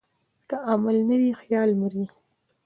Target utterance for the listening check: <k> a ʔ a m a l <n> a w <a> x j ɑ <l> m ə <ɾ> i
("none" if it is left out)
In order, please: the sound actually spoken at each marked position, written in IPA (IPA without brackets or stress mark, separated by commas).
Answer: k, n, i, l, ɾ